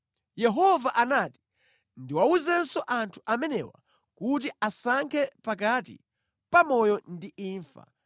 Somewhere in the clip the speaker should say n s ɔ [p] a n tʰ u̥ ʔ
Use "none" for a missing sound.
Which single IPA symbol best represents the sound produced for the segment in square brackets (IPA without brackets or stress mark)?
ʔ